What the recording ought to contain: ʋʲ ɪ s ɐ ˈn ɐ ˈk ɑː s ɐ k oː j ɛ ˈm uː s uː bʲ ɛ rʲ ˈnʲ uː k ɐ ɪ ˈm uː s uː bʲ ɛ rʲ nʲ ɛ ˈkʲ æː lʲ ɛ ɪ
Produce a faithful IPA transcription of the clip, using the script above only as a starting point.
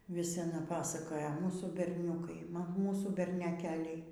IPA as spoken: ʋʲ ɪ s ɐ ˈn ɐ ˈp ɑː s ɐ k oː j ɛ ˈm uː s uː bʲ ɛ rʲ ˈnʲ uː k ɐ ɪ ˈm uː s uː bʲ ɛ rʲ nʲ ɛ ˈkʲ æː lʲ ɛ ɪ